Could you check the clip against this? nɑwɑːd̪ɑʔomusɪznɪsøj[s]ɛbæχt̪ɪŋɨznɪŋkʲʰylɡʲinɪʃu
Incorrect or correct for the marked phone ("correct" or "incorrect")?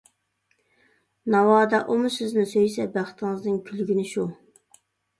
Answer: correct